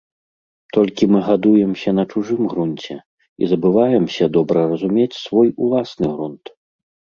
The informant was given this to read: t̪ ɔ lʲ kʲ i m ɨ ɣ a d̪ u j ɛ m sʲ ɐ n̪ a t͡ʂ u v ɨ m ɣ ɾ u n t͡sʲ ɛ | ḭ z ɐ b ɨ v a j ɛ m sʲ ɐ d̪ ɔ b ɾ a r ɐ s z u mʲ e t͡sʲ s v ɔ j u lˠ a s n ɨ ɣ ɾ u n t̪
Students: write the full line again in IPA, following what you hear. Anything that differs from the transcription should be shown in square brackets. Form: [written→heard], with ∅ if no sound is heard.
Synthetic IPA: t̪ ɔ lʲ kʲ i m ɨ ɣ a d̪ u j ɛ m sʲ ɐ n̪ [a→ɐ] t͡ʂ u [v→ʐ] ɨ m ɣ ɾ u n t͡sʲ ɛ | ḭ z ɐ b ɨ v a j ɛ m sʲ ɐ d̪ ɔ b ɾ [a→ɐ] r ɐ [s→∅] z u mʲ e t͡sʲ s v ɔ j u lˠ a s n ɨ ɣ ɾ u n t̪

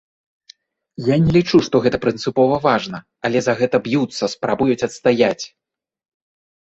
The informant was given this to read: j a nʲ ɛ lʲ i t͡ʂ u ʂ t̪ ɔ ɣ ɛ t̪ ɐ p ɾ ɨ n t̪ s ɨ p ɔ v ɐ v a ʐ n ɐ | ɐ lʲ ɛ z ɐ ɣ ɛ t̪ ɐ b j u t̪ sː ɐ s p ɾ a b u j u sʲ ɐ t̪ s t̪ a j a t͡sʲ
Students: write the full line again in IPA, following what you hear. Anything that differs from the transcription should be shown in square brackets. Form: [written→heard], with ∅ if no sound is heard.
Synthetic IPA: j a nʲ ɛ lʲ i t͡ʂ u ʂ t̪ ɔ ɣ ɛ t̪ ɐ p ɾ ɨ n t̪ s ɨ p ɔ v ɐ v a ʐ n ɐ | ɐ lʲ ɛ z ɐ ɣ ɛ t̪ ɐ b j u t̪ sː ɐ s p ɾ a b u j u [sʲ→t͡sʲ] ɐ t̪ s t̪ a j a t͡sʲ

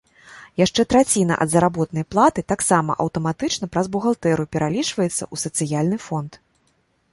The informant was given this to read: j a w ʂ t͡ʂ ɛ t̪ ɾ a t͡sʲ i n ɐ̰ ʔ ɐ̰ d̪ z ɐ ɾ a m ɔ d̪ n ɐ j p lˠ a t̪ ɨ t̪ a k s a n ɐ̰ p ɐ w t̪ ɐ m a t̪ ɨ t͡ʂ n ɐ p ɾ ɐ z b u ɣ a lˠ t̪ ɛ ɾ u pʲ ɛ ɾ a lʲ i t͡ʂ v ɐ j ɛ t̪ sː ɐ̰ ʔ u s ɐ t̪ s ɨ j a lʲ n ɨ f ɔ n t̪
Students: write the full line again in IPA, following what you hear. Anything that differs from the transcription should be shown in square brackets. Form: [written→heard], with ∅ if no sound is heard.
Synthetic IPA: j a [w→∅] ʂ t͡ʂ ɛ t̪ ɾ a t͡sʲ i n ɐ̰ ʔ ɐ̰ d̪ z ɐ ɾ a [m→b] ɔ [d̪→t̪] n ɐ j p lˠ a t̪ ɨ t̪ a k s a [n→m] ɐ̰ [p→ʔ] ɐ w t̪ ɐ m a t̪ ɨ t͡ʂ n ɐ p ɾ ɐ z b u ɣ a lˠ t̪ ɛ ɾ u pʲ ɛ ɾ a lʲ i t͡ʂ v ɐ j ɛ t̪ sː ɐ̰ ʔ u s ɐ t̪ s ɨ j a lʲ n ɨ f ɔ n t̪

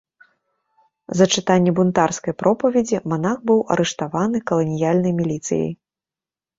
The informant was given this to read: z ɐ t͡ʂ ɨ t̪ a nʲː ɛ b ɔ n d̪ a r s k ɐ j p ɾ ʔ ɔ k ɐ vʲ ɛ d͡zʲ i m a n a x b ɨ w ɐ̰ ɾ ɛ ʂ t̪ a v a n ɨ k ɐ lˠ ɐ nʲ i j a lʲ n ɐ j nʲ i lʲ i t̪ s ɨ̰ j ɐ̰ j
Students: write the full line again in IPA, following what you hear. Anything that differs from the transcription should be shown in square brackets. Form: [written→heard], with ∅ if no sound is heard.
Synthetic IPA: z ɐ t͡ʂ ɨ t̪ a nʲː ɛ b [ɔ→u] n [d̪→t̪] a r s k ɐ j p ɾ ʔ ɔ [k→p] ɐ vʲ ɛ d͡zʲ i m a n a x b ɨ w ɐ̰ ɾ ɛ ʂ t̪ a v a n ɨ k ɐ lˠ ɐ nʲ i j a lʲ n ɐ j [nʲ→mʲ] i lʲ i t̪ s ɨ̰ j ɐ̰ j

